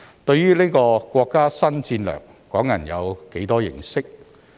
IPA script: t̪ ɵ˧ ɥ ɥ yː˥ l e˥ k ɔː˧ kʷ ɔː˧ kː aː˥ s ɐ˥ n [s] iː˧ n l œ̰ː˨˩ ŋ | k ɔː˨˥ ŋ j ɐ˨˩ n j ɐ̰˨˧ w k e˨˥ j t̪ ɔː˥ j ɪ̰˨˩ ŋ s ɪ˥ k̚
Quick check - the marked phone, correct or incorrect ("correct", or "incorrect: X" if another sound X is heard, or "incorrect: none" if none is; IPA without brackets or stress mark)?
incorrect: t͡s